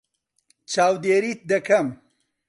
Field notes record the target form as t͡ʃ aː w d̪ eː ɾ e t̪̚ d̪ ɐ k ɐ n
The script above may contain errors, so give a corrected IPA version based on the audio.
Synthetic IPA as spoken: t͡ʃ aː w d̪ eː ɾ i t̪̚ d̪ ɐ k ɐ m